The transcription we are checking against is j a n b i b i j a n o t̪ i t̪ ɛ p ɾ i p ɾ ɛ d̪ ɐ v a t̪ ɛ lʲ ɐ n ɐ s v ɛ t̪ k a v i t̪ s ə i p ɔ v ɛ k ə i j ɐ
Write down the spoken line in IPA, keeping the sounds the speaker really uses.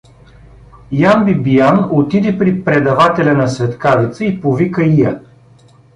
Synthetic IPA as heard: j a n b i b i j a n o t̪ i d̪ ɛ p ɾ i p ɾ ɛ d̪ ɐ v a t̪ ɛ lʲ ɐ n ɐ s v ɛ t̪ k a v i t̪ s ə i p o v i k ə i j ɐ

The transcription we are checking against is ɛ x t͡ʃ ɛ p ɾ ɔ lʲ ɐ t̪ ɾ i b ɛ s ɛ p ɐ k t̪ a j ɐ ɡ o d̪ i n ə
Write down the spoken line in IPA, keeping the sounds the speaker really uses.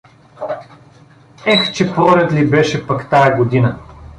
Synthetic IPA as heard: ɛ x t͡ʃ ɛ p ɾ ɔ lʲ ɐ t̪ l i b ɛ ʃ ɛ p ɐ k t̪ a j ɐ ɡ o d̪ i n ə

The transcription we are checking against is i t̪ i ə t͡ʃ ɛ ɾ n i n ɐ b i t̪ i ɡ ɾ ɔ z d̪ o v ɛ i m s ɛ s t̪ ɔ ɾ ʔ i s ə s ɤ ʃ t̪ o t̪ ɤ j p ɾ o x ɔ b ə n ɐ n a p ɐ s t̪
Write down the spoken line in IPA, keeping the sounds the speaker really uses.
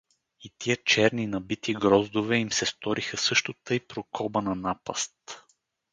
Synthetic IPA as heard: i t̪ i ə t͡ʃ ɛ ɾ n i n ɐ b i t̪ i ɡ ɾ ɔ z d̪ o v ɛ i m s ɛ s t̪ ɔ ɾ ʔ i x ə s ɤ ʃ t̪ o t̪ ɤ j p ɾ o k ɔ b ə n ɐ n a p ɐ s t̪

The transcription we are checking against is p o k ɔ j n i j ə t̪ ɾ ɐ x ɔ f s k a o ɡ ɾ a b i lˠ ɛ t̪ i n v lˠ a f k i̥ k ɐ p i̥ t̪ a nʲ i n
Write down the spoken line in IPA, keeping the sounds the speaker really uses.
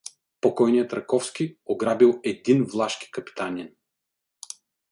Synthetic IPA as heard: p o k ɔ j n i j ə t̪ ɾ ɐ k ɔ f s k i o ɡ ɾ a b i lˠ ɛ d̪ i n v lˠ a ʃ k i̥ k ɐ p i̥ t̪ a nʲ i n

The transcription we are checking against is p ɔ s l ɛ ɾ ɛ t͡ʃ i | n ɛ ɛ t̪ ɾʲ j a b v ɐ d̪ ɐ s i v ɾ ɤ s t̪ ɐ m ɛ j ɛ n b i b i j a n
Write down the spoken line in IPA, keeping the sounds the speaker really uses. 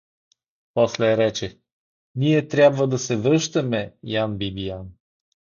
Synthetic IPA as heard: p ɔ s l ɛ ɾ ɛ t͡ʃ ɛ | n i ɛ t̪ ɾʲ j a b v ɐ d̪ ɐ s ɛ v ɾ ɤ ʃ t̪ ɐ m ɛ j a n b i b i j a n

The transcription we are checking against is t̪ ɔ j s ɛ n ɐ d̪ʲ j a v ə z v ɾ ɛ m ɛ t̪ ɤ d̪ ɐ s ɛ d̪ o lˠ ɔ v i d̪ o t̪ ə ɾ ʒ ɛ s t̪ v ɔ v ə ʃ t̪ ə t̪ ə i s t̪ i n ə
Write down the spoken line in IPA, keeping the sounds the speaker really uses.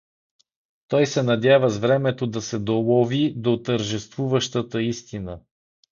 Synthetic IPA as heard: t̪ ɔ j s ɛ n ɐ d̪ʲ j a v ə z v ɾ ɛ m ɛ t̪ o d̪ ɐ s ɛ d̪ o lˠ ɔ v i d̪ o t̪ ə ɾ ʒ ɛ s t̪ v u v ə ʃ t̪ ə t̪ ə i s t̪ i n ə

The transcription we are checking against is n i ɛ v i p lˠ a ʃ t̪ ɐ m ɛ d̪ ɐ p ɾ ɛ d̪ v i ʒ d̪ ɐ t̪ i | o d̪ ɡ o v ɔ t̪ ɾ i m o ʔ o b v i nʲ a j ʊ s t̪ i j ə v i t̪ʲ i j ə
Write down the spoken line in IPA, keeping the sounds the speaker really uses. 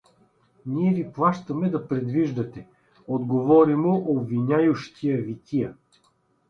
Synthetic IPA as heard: n i ɛ v i p lˠ a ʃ t̪ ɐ m ɛ d̪ ɐ p ɾ ɛ d̪ v i ʒ d̪ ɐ t̪ ɛ | o d̪ ɡ o v ɔ ɾ i m o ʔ o b v i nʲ a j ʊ ʃ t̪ i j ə v i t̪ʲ i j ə

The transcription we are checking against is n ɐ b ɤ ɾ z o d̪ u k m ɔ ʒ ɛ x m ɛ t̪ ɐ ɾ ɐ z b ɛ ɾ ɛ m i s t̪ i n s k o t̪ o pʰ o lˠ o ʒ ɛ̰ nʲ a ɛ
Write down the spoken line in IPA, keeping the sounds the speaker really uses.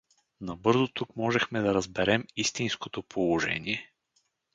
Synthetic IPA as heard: n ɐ b ɤ ɾ z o t̪ u k m ɔ ʒ ɛ x m ɛ d̪ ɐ ɾ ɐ z b ɛ ɾ ɛ m i s t̪ i n s k o t̪ o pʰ o lˠ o ʒ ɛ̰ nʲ i ɛ

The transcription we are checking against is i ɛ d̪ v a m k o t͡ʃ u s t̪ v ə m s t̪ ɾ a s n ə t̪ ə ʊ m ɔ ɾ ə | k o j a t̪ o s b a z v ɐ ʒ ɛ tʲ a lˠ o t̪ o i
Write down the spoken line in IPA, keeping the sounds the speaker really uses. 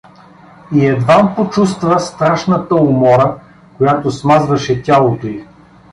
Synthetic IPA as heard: i ɛ d̪ v a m p o t͡ʃ u s t̪ v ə s t̪ ɾ a ʃ n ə t̪ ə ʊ m ɔ ɾ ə | k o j a t̪ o s m a z v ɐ ʃ ɛ tʲ a lˠ o t̪ o i

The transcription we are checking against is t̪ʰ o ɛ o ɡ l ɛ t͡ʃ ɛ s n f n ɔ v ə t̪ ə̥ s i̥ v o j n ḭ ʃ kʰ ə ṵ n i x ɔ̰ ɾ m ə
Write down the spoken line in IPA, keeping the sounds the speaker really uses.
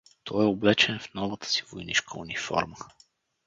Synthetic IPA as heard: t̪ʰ ɔ ɛ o b l ɛ t͡ʃ ɛ n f n ɔ v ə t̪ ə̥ s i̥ v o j n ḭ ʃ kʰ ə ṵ n i f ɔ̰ ɾ m ə

